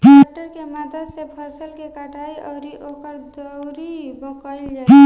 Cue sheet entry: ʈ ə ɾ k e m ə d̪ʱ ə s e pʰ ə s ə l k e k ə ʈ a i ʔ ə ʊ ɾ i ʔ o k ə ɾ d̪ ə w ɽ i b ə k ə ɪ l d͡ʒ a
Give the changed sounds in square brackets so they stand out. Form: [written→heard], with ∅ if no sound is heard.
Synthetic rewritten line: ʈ ə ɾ k e m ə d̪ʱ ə s e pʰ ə s ə l k e k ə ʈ a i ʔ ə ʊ ɾ i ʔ o k ə ɾ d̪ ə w [ɽ→ɾ] i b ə k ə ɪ l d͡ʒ a